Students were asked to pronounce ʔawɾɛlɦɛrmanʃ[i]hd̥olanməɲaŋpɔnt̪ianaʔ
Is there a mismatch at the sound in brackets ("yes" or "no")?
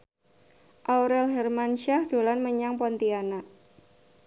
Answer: yes